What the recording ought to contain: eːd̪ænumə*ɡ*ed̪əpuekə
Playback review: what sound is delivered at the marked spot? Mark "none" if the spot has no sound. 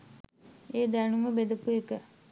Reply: b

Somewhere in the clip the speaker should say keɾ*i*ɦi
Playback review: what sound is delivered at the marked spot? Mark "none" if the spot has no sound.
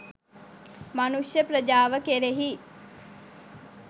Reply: e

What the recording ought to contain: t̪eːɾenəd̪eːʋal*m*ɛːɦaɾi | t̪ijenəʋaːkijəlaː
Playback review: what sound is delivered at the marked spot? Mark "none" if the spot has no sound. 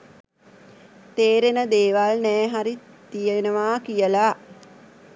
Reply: n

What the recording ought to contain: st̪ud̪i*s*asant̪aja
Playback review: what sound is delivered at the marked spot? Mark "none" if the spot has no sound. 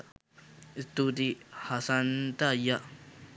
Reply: h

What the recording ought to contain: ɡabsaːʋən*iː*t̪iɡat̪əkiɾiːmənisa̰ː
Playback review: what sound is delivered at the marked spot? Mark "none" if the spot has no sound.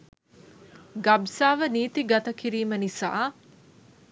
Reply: iː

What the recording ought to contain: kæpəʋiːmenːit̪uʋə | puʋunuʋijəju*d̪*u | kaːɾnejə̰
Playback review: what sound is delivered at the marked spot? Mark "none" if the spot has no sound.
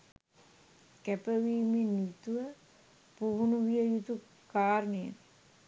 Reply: t̪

